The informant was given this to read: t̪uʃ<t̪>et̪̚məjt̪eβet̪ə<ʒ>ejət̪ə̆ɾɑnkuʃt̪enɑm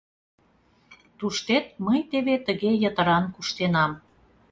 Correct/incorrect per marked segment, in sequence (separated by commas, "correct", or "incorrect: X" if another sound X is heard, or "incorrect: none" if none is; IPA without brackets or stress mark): correct, incorrect: ɣ